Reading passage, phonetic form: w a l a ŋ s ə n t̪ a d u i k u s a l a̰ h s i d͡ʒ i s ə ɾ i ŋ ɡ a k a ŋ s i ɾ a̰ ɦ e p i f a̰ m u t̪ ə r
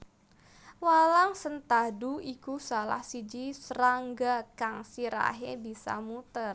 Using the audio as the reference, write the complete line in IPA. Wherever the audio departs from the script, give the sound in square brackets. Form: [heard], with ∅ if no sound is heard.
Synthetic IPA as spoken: w a l a ŋ s ə n t̪ a d u i k u s a l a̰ h s i d͡ʒ i s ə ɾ [a] ŋ ɡ a k a ŋ s i ɾ a̰ ɦ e [b] i [s] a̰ m u t̪ ə r